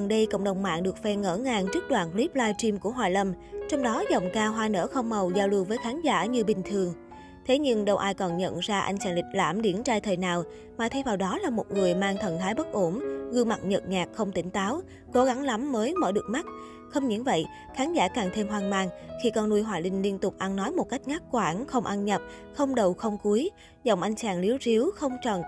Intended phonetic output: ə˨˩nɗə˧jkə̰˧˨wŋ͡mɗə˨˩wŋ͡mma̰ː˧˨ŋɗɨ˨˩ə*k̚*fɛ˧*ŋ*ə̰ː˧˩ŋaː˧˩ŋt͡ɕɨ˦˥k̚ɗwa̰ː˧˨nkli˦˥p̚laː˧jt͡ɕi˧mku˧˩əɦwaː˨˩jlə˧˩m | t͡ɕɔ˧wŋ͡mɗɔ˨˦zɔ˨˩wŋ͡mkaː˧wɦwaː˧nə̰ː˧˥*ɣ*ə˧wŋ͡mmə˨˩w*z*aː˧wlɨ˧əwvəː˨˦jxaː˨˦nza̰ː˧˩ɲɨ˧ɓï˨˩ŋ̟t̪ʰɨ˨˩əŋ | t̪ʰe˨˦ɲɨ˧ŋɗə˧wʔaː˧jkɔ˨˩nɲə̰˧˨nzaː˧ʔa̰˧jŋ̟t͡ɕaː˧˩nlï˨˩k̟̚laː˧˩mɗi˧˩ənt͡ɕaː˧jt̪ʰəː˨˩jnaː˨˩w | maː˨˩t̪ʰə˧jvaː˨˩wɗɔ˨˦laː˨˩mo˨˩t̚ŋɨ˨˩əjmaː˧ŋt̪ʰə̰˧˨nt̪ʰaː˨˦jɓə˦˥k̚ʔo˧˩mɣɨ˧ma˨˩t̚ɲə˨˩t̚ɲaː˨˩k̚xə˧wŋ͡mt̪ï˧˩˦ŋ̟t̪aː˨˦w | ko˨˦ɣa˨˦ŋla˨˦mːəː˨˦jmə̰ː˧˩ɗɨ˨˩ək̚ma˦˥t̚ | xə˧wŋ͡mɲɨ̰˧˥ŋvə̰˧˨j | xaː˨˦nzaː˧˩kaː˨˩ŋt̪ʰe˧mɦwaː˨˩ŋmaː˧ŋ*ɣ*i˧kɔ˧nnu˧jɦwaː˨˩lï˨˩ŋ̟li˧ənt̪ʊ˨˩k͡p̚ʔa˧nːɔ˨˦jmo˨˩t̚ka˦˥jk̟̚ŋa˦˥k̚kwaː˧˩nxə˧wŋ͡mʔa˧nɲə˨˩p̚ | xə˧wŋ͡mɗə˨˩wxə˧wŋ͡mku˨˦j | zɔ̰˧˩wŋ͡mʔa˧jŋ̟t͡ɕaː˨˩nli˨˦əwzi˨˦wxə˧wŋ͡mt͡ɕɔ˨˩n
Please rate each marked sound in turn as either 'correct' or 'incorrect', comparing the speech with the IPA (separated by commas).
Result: correct, correct, incorrect, correct, incorrect